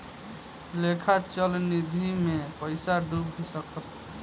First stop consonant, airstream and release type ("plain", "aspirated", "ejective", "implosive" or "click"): aspirated